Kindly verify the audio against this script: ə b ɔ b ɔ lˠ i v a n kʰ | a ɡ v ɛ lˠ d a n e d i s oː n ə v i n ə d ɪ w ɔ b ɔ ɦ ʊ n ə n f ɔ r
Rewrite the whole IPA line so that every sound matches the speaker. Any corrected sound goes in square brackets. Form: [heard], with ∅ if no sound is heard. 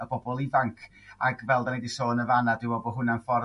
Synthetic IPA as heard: ə b ɔ b ɔ lˠ i v a [ŋ] kʰ | a ɡ v ɛ lˠ d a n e d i s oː n ə v [a] n [a] d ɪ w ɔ b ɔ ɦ ʊ n [a] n f ɔ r